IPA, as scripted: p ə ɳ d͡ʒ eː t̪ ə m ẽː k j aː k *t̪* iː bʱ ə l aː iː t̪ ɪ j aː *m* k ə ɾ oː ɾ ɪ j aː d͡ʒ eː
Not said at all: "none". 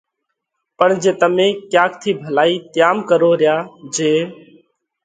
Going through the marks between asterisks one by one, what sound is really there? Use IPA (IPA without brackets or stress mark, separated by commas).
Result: t̪ʰ, m